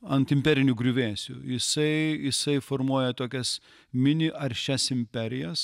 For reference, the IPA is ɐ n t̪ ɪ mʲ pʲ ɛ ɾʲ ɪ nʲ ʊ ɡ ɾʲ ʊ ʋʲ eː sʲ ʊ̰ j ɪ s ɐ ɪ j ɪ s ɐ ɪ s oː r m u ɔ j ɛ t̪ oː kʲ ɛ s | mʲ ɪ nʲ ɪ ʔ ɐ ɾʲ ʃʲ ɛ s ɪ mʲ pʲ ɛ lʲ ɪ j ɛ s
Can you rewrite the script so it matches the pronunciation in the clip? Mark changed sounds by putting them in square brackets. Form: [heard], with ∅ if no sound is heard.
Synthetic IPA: ɐ n t̪ ɪ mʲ pʲ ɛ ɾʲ ɪ nʲ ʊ ɡ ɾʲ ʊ ʋʲ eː sʲ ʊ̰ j ɪ s ɐ ɪ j ɪ s ɐ ɪ [f] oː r m u ɔ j ɛ t̪ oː kʲ ɛ s | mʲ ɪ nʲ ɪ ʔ ɐ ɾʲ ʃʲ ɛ s ɪ mʲ pʲ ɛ [ɾʲ] ɪ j ɛ s